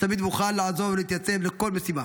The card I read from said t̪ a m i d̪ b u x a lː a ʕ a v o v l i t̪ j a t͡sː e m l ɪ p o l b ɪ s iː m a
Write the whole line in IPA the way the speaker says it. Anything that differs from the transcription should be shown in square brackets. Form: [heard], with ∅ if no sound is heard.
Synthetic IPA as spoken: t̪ a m i d̪ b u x a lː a ʕ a [z] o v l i t̪ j a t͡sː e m l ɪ [k] o l [m] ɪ s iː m a

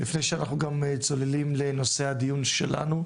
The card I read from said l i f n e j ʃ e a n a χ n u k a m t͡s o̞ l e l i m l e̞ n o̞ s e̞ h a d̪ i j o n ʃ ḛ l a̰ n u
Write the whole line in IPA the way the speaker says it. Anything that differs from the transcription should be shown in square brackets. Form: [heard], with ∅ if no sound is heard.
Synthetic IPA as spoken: l i f n e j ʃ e a n a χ n u [ɡ] a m t͡s o̞ l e l i m l e̞ n o̞ s e̞ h a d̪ i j [u] n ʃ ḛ l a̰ n u

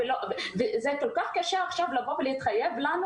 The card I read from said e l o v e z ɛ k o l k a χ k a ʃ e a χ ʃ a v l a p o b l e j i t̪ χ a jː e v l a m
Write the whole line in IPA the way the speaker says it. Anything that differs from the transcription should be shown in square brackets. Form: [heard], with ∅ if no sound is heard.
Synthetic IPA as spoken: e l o v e z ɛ k o l k a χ k a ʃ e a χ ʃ a v l a [b] o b l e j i t̪ χ a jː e v l a [n]

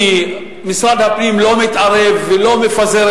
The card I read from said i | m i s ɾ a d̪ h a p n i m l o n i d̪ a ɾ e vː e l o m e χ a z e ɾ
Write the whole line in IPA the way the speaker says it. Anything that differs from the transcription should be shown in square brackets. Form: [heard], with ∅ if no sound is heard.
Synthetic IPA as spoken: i | m i s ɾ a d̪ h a p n i m l o [m] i [t̪] a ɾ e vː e l o m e [f] a z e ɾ

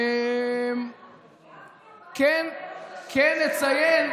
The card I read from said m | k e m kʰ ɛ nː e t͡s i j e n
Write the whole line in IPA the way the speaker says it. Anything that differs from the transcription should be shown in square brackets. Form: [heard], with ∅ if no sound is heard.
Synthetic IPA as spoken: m | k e [n] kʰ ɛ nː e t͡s [a] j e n

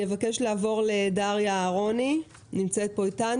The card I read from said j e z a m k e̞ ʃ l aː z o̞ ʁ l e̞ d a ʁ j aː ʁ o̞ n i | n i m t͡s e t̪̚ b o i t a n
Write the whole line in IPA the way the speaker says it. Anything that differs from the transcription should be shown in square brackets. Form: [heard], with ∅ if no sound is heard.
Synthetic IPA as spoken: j e [v] a [∅] k e̞ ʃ l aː [v] o̞ ʁ l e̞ d a ʁ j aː ʁ o̞ n i | n i m t͡s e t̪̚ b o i t a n

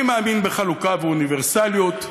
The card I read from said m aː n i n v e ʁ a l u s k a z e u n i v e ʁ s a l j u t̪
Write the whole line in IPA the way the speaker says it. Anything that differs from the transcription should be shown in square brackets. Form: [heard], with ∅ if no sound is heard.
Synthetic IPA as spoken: m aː [m] i n [b] e [χ] a l u [∅] k a [v] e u n i v e ʁ s a l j [o] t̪

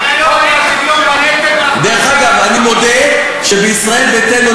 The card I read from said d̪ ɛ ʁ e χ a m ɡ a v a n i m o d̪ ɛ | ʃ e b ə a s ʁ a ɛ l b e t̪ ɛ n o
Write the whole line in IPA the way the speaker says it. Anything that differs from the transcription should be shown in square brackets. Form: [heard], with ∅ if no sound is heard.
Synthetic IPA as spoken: d̪ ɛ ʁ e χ a [∅] ɡ a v a n i m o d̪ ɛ | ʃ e b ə [i] s ʁ a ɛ l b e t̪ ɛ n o

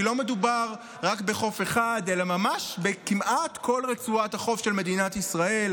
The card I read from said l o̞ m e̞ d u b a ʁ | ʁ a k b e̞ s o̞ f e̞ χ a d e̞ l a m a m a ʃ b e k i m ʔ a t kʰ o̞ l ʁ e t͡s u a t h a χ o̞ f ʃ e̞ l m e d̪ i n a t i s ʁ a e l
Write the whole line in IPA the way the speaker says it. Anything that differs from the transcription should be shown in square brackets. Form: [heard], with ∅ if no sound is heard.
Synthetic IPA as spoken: l o̞ m e̞ d u b a ʁ | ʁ a k b e̞ [χ] o̞ f e̞ χ a d e̞ l a m a m a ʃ b e k i m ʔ a t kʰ o̞ l ʁ e t͡s u a t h a χ o̞ f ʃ e̞ l m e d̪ i n a t i s ʁ a e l

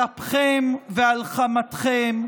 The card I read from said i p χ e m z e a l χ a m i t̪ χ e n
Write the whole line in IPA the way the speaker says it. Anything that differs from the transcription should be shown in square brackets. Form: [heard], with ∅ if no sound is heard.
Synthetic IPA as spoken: [a] p χ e m [v] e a l χ a m [a] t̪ χ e [m]

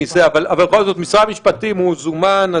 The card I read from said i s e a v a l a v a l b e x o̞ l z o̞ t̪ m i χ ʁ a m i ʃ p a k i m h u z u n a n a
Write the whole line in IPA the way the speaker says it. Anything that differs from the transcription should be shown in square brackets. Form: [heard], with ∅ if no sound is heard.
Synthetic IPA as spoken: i s e a v a l a v a l b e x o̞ l z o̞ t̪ m i [s] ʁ a m i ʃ p a [t] i m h u z u [m] a n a

